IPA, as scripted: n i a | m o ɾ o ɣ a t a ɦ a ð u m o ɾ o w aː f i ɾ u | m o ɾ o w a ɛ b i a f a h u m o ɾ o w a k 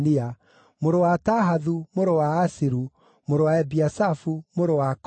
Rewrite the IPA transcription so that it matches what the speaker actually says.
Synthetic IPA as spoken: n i a | m o ɾ o w a t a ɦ a ð u m o ɾ o w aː s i ɾ u | m o ɾ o w a ɛ b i a s a f u m o ɾ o w a k